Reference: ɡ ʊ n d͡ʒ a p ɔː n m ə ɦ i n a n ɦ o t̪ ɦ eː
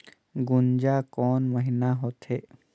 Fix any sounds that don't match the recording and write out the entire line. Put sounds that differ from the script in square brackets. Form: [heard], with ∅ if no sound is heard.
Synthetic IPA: ɡ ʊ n d͡ʒ a [k] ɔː n m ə ɦ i n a [∅] ɦ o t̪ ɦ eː